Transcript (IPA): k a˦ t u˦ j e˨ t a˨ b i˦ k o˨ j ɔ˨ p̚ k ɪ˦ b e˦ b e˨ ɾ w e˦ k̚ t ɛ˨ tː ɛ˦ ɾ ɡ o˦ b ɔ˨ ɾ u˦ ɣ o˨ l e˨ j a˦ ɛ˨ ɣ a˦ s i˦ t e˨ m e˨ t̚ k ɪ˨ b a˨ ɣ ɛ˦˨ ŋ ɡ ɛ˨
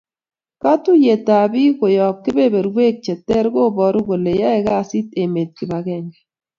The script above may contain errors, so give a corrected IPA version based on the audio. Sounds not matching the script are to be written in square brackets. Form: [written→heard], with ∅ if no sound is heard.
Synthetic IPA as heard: k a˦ t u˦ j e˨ t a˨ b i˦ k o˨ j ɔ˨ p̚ k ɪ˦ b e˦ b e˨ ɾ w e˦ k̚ [t→t͡ʃ] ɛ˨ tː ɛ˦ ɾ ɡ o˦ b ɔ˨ ɾ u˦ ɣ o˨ l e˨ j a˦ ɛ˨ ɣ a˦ s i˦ t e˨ m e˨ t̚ k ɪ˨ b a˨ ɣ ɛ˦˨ ŋ ɡ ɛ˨